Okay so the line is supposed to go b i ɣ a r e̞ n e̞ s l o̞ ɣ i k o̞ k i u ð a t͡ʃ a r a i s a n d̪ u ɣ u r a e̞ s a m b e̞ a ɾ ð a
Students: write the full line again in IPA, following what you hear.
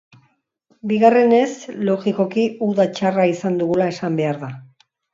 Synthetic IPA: b i ɣ a r e̞ n e̞ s l o̞ ɣ i k o̞ k i u ð a t͡ʃ a r a i s a n d̪ u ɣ u l a e̞ s a m b e̞ a ɾ ð a